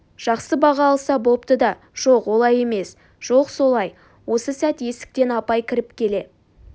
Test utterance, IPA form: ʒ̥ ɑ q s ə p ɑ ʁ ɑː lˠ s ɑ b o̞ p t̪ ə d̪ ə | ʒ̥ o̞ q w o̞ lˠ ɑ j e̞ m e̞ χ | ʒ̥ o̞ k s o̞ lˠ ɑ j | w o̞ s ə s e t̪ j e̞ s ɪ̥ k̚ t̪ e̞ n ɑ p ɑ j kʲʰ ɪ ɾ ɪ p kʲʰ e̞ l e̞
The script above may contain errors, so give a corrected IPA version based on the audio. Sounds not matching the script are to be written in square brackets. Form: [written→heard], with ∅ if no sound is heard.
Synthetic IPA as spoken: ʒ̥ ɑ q s ə [p→b] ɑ ʁ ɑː lˠ s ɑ b o̞ p t̪ ə d̪ [ə→ɑ] | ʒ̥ o̞ q w o̞ lˠ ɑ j e̞ m e̞ [χ→s] | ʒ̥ o̞ [k→q] s o̞ lˠ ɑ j | w o̞ s ə s [e→æ] t̪ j e̞ s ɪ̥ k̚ t̪ e̞ n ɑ p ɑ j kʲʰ ɪ ɾ ɪ p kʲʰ e̞ l e̞